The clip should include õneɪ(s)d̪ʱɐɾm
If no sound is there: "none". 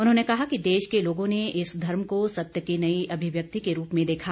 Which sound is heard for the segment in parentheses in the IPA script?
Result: s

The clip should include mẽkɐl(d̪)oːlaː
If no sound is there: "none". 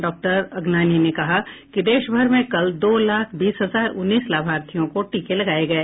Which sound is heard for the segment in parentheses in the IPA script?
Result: d̪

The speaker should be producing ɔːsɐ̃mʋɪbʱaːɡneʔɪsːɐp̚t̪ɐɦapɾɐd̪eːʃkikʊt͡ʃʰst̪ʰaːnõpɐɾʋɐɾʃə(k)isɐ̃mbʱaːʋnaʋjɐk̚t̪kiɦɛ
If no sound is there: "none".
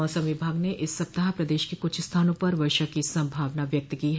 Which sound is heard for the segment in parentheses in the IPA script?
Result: k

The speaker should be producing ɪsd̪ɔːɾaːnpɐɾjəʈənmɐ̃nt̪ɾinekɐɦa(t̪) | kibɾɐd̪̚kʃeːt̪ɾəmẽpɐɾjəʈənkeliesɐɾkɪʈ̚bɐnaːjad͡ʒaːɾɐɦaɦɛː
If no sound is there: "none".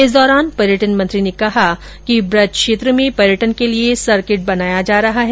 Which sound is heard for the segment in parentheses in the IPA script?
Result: none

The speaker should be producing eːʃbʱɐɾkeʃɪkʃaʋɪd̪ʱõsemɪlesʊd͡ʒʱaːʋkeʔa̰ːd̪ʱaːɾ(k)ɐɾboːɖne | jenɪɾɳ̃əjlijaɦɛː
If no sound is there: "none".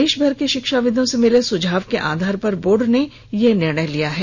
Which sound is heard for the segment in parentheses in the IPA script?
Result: p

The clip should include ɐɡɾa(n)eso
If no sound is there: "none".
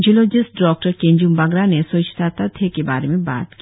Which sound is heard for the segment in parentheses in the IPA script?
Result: n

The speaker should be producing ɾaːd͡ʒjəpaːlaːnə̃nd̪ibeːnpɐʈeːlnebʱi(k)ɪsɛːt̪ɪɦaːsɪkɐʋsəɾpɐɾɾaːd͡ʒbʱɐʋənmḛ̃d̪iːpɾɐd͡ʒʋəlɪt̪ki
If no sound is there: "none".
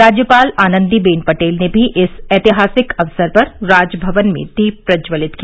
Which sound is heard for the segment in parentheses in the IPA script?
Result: ʔ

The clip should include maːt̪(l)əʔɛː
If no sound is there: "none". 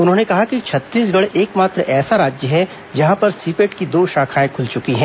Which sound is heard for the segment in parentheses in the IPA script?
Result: ɾ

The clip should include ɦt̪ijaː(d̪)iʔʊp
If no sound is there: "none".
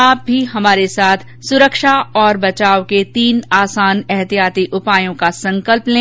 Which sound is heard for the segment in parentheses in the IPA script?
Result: t̪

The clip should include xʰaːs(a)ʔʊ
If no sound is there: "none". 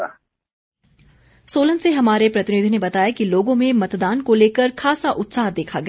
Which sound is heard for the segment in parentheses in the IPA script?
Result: a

